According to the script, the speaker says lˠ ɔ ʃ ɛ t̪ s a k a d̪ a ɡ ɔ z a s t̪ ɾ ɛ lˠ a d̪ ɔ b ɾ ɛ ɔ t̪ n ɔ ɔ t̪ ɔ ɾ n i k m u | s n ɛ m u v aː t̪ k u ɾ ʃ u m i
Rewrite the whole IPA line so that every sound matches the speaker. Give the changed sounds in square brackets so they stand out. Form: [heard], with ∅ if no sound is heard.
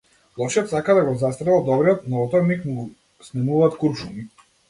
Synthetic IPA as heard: lˠ ɔ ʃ ɛ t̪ s a k a d̪ a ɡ ɔ z a s t̪ ɾ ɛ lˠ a d̪ ɔ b ɾ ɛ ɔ t̪ n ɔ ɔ t̪ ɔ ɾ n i k m u | s n ɛ m u v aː t̪ k u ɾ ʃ u m i